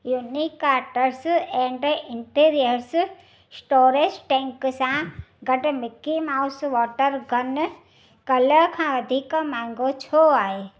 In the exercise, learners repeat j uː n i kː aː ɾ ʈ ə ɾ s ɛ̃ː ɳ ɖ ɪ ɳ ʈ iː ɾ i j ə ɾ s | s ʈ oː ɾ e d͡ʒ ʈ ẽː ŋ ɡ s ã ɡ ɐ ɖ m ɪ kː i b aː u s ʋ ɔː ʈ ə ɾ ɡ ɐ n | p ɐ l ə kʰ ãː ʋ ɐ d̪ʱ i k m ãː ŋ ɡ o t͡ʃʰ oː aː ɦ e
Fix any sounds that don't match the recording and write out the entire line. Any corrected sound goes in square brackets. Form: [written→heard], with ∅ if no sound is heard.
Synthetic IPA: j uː n i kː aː ɾ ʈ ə ɾ s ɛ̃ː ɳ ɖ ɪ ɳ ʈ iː ɾ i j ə ɾ s | s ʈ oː ɾ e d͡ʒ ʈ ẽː ŋ [ɡ→k] s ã ɡ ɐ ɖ m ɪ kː i [b→m] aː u s ʋ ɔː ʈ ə ɾ ɡ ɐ n | [p→k] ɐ l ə kʰ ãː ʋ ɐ d̪ʱ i k m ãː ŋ ɡ o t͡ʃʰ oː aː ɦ e